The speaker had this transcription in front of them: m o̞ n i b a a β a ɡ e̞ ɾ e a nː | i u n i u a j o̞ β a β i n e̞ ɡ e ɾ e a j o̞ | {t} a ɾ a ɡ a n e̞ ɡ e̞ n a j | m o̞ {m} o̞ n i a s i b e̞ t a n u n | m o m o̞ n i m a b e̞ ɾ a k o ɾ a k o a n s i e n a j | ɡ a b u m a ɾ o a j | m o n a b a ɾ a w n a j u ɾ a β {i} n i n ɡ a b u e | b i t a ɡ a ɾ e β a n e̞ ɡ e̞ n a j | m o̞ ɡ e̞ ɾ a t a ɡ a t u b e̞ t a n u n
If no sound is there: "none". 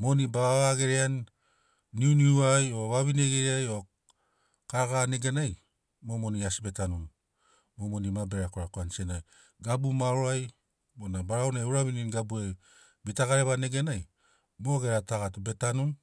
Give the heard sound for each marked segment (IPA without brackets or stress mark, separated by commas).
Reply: k, m, i